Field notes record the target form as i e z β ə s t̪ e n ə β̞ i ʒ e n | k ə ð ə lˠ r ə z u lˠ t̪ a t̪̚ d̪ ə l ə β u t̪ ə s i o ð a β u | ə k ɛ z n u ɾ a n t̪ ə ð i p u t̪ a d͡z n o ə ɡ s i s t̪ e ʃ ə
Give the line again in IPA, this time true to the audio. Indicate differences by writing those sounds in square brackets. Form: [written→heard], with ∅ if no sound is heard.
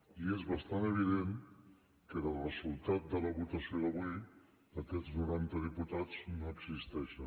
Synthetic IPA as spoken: i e z β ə s t̪ [e→a] n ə β̞ i [ʒ→ð] e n | k ə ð ə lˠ r ə z u lˠ t̪ a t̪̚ d̪ ə l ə β u t̪ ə s i o ð [a→ə] β u | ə k ɛ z n u ɾ a n t̪ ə ð i p u t̪ a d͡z n o ə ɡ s i s t̪ [e→ɛ] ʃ ə